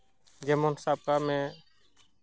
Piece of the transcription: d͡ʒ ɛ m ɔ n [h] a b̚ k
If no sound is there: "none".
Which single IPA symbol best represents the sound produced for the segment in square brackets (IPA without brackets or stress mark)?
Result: s